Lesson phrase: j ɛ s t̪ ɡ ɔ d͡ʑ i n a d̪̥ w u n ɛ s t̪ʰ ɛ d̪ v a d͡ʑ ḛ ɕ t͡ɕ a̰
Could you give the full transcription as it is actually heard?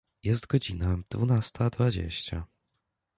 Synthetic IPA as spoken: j ɛ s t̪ ɡ ɔ d͡ʑ i n a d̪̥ v u n a s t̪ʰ a d̪ v a d͡ʑ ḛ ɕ t͡ɕ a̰